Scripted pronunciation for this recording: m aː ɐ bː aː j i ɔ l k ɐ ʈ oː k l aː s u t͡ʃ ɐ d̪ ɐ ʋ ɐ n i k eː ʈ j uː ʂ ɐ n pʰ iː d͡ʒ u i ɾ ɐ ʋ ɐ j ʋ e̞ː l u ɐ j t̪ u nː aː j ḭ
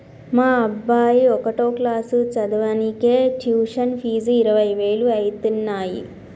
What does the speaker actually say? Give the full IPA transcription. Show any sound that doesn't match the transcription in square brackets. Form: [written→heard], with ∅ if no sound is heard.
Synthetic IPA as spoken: m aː ɐ bː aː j i ɔ [l→∅] k ɐ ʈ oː k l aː s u t͡ʃ ɐ d̪ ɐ ʋ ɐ n i k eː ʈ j uː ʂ ɐ n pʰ iː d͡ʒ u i ɾ ɐ ʋ ɐ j ʋ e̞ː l u ɐ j t̪ u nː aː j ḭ